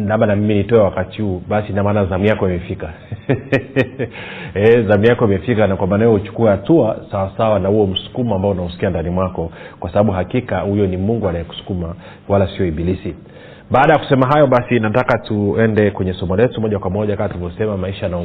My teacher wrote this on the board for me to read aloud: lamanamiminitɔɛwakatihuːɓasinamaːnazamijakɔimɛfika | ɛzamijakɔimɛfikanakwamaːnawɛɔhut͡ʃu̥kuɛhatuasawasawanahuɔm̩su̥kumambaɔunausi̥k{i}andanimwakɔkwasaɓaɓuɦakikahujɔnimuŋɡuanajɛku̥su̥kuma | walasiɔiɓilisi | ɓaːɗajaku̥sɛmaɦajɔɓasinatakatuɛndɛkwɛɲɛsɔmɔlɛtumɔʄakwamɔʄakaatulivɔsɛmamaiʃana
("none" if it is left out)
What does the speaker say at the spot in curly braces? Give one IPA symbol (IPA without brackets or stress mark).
i